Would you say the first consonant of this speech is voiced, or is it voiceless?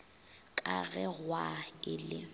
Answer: voiceless